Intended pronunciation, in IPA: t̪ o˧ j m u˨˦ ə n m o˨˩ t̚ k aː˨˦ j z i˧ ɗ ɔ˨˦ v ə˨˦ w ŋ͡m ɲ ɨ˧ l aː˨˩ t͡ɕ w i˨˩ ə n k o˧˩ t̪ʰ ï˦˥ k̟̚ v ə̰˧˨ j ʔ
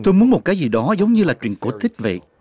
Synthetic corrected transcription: t̪ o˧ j m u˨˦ ə n m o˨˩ t̚ k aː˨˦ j z i˨˩ ɗ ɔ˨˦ z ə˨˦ w ŋ͡m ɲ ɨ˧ l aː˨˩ t͡ɕ w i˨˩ ə n k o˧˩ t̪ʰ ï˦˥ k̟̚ v ə̰˧˨ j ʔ